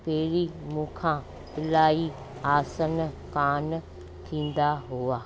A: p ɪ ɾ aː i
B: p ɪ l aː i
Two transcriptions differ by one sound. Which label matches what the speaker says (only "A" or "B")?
B